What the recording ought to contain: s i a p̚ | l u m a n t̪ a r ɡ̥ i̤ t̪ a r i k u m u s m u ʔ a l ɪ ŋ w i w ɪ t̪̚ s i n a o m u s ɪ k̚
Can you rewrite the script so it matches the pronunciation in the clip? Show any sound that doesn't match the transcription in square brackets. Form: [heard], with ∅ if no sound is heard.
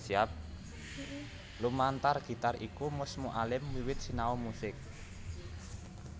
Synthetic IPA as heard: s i a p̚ | l u m a n t̪ a r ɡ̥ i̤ t̪ a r i k u m [ʊ] s m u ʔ a l ɪ [m] w i w ɪ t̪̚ s i n a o m u s ɪ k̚